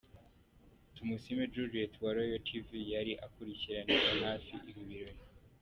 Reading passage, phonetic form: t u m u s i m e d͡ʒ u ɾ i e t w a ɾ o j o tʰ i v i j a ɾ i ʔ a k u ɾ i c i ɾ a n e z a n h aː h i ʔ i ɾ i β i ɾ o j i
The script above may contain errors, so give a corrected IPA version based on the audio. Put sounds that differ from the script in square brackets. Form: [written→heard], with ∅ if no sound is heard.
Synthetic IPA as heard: t u m u s i m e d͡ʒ u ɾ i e t w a ɾ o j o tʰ i v i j a ɾ i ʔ a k u ɾ i c i ɾ a n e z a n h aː [h→f] i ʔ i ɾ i β i ɾ o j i